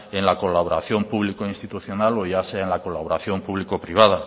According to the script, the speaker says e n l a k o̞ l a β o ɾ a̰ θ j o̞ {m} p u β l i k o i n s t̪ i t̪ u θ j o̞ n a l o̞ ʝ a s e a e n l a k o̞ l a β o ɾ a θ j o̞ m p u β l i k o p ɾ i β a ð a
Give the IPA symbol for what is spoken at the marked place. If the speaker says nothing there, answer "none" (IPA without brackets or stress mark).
m